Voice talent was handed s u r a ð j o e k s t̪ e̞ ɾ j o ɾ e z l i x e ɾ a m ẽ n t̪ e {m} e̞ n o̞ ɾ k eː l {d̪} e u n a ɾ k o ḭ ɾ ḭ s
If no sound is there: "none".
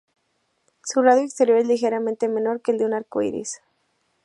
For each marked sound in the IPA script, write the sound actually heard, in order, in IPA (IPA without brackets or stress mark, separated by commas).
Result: m, d̪